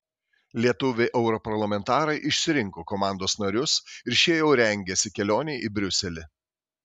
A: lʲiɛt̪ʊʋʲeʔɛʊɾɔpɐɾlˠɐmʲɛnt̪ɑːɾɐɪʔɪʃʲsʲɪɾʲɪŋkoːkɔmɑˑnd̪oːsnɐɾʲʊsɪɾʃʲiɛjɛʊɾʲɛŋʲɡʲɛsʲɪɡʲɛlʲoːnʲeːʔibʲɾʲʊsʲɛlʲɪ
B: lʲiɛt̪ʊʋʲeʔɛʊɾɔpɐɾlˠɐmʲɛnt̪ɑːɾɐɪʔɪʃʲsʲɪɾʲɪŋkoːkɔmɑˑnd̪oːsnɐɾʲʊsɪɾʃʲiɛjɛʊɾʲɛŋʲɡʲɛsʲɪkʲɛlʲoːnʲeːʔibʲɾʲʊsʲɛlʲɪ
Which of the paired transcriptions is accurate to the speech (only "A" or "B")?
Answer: B